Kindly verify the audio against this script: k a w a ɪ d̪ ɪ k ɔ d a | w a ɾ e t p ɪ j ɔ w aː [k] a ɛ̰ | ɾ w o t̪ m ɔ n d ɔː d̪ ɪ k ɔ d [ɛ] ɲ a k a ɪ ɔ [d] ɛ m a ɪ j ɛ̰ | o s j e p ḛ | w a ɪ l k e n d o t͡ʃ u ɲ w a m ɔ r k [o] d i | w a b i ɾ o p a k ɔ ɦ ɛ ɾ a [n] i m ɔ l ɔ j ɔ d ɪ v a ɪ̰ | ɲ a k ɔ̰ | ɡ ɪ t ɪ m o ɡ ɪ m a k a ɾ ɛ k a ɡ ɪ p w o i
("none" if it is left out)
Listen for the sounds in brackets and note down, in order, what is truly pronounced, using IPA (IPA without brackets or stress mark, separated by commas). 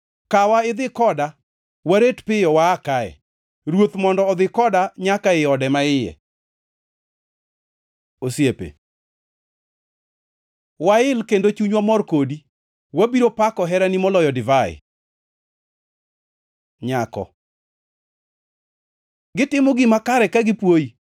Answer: k, a, d, o, n